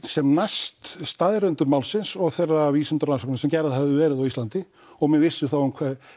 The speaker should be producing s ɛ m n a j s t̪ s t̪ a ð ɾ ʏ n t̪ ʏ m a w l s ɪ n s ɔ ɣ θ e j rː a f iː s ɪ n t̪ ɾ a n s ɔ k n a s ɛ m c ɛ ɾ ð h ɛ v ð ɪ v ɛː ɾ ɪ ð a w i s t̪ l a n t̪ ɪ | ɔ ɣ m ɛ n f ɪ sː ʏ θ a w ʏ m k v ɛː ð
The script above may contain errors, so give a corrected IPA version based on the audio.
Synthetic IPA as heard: s ɛ m n a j s t̪ s t̪ a ð ɾ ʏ n t̪ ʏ m a w l s ɪ n s ɔ ɣ θ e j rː a v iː s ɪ n t̪ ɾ a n s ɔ k n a s ɛ m c ɛ ɾ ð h ɛ v ð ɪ v ɛː ɾ ɪ ð a w i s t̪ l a n t̪ ɪ | ɔ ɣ m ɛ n v ɪ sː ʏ θ a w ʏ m kʰ v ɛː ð